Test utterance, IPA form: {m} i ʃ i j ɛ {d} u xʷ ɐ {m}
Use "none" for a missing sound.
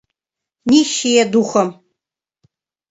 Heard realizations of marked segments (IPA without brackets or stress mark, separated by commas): n, d, m